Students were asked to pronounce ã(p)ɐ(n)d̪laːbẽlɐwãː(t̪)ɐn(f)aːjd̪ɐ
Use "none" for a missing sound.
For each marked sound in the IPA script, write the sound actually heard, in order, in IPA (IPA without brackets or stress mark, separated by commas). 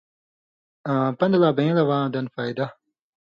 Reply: p, n, d̪, f